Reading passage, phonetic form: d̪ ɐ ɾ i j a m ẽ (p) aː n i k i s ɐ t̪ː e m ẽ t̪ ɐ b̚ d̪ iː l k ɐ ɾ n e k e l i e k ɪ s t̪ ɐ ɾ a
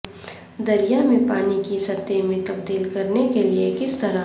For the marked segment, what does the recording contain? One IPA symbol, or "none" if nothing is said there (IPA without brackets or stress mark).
p